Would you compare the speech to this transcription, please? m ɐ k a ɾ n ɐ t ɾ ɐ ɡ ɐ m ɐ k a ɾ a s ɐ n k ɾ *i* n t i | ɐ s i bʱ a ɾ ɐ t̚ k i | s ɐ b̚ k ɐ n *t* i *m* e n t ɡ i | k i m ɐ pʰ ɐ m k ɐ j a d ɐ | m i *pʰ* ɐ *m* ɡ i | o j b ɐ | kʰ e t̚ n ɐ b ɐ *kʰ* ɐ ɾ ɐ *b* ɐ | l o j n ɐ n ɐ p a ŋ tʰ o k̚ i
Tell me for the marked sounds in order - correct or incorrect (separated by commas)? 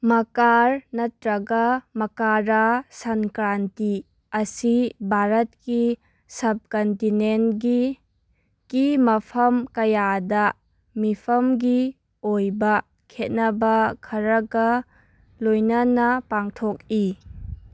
incorrect, correct, incorrect, correct, correct, correct, incorrect